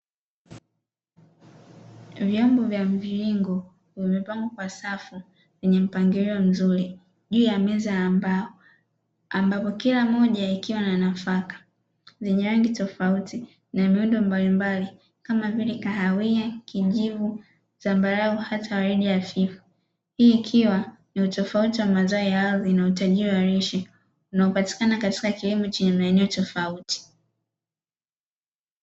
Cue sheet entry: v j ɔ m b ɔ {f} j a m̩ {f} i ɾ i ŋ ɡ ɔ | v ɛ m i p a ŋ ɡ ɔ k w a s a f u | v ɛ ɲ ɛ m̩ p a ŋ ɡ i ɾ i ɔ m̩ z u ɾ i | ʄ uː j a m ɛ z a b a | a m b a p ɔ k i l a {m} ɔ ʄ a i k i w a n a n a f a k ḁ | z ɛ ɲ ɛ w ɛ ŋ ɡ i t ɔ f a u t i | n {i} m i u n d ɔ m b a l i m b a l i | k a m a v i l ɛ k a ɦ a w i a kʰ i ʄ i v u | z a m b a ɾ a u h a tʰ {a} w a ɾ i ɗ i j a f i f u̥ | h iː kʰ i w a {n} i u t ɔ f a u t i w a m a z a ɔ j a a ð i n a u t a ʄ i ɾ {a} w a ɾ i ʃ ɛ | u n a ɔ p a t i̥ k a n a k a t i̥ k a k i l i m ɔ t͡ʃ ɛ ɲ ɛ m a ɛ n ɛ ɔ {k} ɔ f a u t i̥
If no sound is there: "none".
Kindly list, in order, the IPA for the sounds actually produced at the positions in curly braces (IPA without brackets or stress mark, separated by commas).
v, v, m, a, a, n, i, t